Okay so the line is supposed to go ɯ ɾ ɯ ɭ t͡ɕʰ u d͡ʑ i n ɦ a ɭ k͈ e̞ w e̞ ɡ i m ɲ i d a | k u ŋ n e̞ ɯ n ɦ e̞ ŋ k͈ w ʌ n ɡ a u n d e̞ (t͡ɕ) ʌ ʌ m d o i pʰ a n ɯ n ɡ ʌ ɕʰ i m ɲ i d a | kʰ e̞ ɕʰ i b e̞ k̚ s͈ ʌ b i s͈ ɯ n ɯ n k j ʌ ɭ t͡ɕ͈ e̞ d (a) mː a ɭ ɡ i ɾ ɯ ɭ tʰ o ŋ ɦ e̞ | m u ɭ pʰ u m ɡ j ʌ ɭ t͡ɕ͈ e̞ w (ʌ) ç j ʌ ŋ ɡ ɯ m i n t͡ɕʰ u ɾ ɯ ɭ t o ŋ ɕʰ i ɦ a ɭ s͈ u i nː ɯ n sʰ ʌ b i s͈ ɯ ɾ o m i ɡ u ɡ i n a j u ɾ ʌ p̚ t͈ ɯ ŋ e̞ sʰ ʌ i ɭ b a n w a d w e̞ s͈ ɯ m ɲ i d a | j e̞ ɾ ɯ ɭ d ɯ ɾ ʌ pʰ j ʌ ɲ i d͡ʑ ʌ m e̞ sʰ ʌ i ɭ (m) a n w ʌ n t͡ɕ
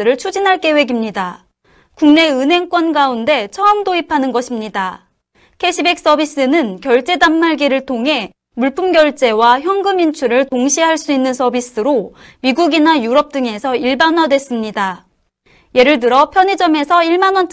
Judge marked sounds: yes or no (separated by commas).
no, yes, no, yes